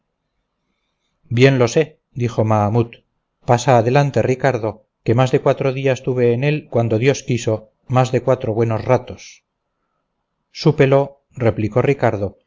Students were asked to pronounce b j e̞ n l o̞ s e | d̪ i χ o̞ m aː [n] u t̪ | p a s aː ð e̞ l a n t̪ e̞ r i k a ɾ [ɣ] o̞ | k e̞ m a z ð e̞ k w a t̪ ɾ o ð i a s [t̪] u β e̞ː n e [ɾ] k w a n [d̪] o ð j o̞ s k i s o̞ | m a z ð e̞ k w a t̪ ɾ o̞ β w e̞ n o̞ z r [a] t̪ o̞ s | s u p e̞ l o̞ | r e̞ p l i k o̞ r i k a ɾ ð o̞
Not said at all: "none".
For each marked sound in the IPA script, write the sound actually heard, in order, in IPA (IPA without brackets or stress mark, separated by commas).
m, ð, t̪, l, d̪, a